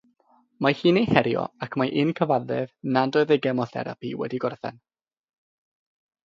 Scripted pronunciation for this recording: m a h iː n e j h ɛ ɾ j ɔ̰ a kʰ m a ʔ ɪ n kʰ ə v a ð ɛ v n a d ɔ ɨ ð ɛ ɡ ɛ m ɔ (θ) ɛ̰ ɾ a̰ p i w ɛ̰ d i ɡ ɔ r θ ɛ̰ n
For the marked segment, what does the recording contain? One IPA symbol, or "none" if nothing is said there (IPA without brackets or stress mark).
θ